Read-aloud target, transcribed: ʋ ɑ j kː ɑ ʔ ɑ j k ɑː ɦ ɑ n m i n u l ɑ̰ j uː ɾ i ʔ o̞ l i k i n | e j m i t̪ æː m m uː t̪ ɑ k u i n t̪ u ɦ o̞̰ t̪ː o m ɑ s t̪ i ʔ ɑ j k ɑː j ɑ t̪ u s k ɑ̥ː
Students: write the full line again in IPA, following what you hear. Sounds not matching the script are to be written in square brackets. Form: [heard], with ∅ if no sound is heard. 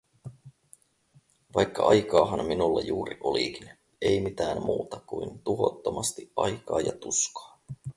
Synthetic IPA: ʋ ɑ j kː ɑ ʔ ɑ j k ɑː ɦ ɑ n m i n u [lː] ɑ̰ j uː ɾ i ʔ o̞ l i k i n | e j m i t̪ æː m m uː t̪ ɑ k u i n t̪ u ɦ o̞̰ t̪ː o m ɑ s t̪ i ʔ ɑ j k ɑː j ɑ t̪ u s k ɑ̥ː